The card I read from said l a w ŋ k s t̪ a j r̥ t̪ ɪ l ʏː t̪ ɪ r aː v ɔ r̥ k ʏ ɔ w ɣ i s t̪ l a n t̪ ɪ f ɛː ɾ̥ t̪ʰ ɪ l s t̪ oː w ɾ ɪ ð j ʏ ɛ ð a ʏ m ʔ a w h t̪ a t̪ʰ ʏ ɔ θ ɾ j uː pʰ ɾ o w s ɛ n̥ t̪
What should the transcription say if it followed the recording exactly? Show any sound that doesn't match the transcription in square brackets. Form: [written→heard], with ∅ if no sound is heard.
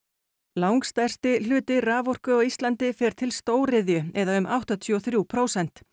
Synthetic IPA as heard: l a w ŋ k s t̪ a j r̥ t̪ ɪ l ʏː t̪ ɪ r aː v ɔ r̥ k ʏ ɔ [w→∅] ɣ i s t̪ l a n t̪ ɪ f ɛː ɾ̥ t̪ʰ ɪ l s t̪ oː w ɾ ɪ ð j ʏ ɛ ð a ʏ m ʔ a w h t̪ a t̪ʰ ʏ ɔ θ ɾ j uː pʰ ɾ o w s ɛ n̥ t̪